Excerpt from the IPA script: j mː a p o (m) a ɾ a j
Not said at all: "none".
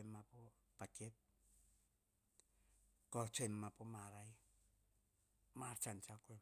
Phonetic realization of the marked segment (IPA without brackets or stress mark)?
m